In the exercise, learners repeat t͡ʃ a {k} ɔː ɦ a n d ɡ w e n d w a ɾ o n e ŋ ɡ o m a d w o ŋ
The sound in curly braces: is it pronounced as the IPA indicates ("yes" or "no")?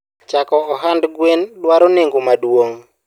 yes